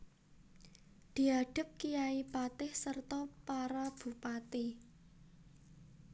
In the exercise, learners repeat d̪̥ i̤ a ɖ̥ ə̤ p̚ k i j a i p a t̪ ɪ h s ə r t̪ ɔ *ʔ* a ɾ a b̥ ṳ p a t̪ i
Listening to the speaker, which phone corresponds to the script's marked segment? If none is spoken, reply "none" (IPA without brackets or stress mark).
p